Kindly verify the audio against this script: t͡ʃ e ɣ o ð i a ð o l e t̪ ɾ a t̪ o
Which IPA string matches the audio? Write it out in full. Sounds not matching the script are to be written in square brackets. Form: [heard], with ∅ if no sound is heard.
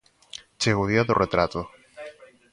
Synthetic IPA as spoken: t͡ʃ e ɣ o ð i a ð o [r] e t̪ ɾ a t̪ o